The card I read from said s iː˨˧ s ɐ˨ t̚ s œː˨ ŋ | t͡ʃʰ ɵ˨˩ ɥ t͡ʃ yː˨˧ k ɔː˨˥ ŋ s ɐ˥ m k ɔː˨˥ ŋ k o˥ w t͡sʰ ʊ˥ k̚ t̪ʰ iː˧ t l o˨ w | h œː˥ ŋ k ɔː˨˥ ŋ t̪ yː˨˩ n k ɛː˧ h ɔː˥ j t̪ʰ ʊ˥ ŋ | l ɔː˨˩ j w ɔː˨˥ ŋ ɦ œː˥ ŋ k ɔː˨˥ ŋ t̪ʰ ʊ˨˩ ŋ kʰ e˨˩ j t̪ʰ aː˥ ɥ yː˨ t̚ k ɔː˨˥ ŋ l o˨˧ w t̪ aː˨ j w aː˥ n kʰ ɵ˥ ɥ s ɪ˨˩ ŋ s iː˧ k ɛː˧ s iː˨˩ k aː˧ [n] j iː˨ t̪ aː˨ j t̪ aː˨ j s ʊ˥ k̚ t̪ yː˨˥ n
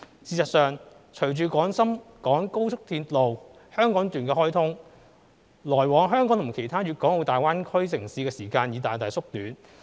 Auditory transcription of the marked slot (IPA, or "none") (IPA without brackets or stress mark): n